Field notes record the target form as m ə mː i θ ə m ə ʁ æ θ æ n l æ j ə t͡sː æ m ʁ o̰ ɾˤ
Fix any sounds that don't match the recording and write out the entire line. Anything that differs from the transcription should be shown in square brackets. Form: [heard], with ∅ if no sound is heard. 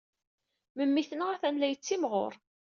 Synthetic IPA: m ə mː i θ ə [n] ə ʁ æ θ æ n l æ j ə t͡sː [i] m ʁ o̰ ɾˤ